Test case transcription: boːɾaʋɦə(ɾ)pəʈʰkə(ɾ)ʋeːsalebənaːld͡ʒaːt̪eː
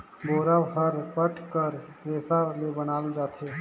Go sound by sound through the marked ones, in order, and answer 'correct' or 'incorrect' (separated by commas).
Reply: correct, correct